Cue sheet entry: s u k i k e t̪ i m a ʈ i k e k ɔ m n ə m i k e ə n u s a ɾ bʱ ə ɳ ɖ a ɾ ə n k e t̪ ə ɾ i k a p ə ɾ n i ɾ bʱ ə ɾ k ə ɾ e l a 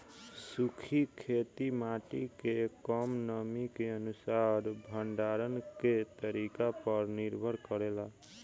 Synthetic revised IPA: s u kʰ i kʰ e t̪ i m a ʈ i k e k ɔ m n ə m i k e ə n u s a ɾ bʱ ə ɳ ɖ a ɾ ə n k e t̪ ə ɾ i k a p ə ɾ n i ɾ bʱ ə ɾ k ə ɾ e l a